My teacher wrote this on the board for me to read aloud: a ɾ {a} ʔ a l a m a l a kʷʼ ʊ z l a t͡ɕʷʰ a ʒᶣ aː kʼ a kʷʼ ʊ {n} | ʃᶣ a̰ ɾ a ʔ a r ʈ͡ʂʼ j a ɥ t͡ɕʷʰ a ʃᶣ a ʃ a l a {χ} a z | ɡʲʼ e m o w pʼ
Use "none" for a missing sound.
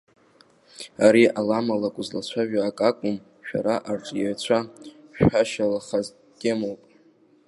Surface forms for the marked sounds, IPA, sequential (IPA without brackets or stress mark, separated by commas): i, m, χ